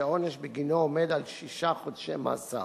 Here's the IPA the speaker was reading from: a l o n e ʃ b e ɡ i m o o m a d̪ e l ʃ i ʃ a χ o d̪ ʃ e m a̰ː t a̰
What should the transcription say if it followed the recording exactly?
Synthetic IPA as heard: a o n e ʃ b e ɡ i n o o m e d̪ a l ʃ i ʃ a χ o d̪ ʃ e m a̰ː s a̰